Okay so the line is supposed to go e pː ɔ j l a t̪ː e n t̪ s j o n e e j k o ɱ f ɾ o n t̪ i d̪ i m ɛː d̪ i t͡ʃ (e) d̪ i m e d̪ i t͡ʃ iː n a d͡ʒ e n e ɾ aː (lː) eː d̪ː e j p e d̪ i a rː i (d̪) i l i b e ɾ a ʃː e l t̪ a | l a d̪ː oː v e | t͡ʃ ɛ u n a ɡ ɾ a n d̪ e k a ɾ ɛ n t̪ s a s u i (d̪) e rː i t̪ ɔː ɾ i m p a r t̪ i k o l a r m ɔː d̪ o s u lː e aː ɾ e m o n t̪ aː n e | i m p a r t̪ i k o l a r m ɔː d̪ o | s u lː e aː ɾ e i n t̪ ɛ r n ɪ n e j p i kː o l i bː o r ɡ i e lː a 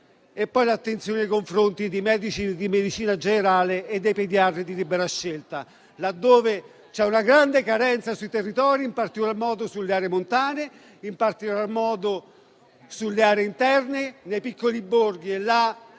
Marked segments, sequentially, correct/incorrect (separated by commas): incorrect, incorrect, correct, incorrect